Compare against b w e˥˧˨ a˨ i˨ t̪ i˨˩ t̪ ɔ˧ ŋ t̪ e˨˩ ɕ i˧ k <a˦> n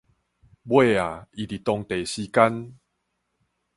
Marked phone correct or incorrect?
correct